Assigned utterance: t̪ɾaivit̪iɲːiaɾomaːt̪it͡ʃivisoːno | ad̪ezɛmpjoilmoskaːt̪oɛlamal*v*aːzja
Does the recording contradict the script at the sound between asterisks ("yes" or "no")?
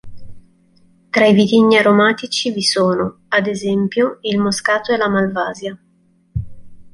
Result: no